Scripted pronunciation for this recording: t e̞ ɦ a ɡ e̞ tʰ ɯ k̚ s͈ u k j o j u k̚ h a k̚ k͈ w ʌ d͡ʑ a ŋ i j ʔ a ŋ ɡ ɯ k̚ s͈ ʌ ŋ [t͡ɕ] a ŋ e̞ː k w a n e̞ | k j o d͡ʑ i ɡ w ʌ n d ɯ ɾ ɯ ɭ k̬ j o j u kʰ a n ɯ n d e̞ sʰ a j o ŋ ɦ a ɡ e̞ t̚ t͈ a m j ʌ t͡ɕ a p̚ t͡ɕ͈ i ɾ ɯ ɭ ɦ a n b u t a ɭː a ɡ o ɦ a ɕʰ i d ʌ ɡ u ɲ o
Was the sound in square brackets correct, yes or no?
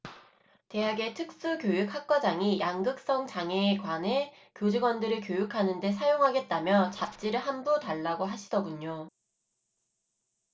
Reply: yes